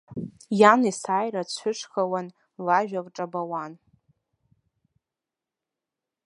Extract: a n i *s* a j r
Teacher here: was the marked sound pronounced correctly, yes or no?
yes